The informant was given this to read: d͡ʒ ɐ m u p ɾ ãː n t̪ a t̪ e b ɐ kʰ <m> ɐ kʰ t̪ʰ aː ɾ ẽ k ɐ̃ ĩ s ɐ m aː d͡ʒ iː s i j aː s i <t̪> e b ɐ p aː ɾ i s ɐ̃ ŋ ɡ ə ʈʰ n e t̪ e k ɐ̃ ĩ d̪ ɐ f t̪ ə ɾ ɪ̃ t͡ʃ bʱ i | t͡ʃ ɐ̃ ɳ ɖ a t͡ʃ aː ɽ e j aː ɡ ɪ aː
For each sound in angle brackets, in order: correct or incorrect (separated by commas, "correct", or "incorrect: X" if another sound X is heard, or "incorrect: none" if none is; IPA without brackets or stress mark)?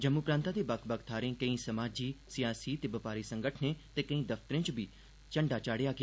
incorrect: b, correct